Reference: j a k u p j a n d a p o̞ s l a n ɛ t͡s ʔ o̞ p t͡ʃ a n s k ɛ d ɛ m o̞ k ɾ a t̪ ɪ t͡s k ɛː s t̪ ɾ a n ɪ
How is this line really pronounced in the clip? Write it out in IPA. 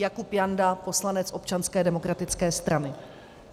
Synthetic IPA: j a k u p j a n d a p o̞ s l a n ɛ t͡s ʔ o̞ p t͡ʃ a n s k ɛː d ɛ m o̞ k ɾ a t̪ ɪ t͡s k ɛː s t̪ ɾ a n ɪ